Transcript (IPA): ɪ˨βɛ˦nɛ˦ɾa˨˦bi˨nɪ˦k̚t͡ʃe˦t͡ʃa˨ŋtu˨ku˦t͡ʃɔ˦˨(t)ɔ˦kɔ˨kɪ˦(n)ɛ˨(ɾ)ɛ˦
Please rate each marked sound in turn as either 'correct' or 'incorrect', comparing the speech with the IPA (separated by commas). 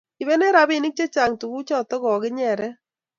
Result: correct, incorrect, correct